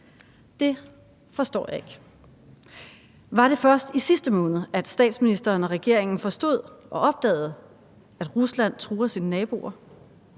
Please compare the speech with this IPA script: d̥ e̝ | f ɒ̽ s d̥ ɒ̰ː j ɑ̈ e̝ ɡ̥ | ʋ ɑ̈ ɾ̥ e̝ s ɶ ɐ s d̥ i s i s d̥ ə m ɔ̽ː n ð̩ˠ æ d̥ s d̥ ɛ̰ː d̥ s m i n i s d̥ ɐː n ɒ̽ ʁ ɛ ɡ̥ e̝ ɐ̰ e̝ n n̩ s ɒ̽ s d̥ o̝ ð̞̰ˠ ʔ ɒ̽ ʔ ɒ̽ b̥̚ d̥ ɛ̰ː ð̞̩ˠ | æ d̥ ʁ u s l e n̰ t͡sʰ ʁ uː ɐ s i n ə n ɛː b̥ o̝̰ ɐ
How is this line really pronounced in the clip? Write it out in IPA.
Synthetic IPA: d̥ e̝ | f ɒ̽ s d̥ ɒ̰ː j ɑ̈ e̝ ɡ̥ | ʋ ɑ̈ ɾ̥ e̝ f ɶ ɐ s d̥ i s i s d̥ ə m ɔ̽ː n ð̩ˠ æ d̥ s d̥ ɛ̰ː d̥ s m i n i s d̥ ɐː n ɒ̽ ʁ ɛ ɡ̥ e̝ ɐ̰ e̝ ŋ n̩ f ɒ̽ s d̥ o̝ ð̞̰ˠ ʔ ɒ̽ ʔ ɒ̽ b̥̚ d̥ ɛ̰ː ð̞̩ˠ | æ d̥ ʁ u s l æ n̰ t͡sʰ ʁ uː ɐ s i n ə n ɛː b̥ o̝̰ ɐ